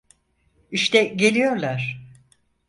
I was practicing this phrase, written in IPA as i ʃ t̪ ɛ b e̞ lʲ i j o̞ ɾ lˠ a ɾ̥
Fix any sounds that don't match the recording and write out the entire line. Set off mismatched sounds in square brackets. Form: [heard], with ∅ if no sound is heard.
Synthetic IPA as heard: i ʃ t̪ ɛ [ɟ] e̞ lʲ i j o̞ ɾ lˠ a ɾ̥